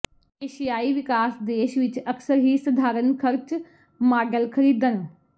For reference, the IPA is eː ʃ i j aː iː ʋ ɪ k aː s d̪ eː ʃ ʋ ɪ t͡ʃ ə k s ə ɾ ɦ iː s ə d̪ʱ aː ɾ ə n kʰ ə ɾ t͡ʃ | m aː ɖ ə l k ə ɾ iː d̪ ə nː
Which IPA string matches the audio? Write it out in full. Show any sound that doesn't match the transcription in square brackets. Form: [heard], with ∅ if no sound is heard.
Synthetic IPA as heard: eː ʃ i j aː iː ʋ ɪ k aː s d̪ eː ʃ ʋ ɪ t͡ʃ ə k s ə ɾ ɦ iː s ə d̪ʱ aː ɾ ə n kʰ ə ɾ t͡ʃ | m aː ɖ ə l [kʰ] ə ɾ iː d̪ ə [n]